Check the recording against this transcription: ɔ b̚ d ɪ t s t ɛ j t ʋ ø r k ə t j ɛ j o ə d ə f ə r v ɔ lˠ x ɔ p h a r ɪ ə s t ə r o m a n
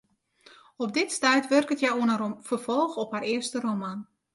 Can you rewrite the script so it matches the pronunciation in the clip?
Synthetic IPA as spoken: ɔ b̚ d ɪ t s t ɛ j t ʋ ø r k ə t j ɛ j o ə n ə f ə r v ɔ lˠ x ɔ p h a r ɪ ə s t ə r o m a n